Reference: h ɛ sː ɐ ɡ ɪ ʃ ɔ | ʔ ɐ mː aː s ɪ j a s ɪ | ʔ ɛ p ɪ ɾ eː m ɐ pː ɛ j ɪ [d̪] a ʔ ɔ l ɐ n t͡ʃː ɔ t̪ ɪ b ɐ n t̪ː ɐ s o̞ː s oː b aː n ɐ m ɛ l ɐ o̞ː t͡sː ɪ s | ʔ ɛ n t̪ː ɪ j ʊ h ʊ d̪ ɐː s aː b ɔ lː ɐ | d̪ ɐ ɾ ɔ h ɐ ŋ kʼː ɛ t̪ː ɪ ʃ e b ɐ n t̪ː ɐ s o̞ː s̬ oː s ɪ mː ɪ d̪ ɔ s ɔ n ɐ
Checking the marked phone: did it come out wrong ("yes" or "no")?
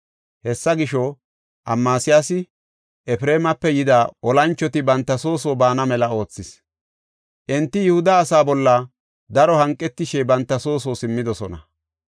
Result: no